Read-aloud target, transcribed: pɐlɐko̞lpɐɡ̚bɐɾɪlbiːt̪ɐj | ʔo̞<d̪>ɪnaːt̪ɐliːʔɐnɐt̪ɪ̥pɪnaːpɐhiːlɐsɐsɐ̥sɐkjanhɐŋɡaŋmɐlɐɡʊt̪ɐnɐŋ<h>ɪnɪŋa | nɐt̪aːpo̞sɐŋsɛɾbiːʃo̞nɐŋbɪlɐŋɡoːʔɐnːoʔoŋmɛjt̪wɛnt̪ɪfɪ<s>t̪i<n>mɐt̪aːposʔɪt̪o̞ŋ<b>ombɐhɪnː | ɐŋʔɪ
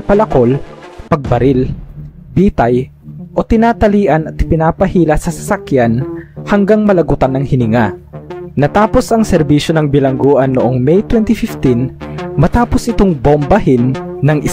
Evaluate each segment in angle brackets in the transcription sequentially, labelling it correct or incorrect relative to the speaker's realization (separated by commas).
incorrect, correct, incorrect, correct, correct